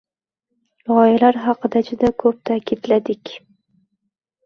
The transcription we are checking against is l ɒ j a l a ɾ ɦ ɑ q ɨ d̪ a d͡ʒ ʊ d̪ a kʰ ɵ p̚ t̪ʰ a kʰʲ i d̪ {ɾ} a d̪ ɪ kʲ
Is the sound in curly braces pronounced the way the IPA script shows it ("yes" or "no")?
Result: no